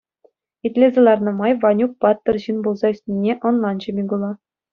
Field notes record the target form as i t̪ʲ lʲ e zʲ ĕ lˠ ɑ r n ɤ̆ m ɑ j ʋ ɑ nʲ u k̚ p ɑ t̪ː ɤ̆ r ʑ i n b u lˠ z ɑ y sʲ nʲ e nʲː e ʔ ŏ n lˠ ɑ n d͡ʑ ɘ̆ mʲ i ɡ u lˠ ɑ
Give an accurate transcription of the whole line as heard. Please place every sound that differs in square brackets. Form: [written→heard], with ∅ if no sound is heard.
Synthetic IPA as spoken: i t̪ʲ lʲ e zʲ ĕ lˠ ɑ r n ɤ̆ m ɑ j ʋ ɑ nʲ u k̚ p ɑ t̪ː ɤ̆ r ʑ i n b u lˠ z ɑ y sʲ nʲ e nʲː e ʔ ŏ n lˠ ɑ n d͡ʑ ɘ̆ mʲ i ɡ u lˠ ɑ